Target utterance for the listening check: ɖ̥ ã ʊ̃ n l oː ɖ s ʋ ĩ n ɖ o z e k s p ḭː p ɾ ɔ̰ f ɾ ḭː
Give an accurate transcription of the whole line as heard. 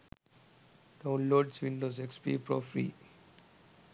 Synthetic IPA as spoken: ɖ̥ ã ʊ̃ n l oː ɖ s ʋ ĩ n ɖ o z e k s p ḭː p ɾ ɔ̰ f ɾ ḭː